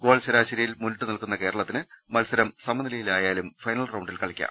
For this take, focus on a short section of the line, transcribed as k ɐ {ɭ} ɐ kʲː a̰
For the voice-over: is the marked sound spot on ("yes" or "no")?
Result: yes